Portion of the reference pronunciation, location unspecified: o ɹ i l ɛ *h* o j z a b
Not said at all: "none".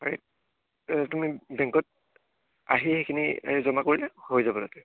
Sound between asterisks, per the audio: h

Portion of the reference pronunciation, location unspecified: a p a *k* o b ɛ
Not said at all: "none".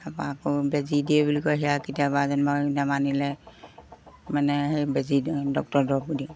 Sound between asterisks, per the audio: k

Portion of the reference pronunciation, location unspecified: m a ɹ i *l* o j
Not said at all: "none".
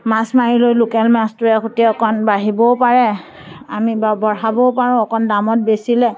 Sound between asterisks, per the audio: l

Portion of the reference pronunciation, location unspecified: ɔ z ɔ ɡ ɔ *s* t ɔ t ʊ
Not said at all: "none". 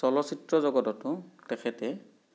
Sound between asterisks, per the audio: none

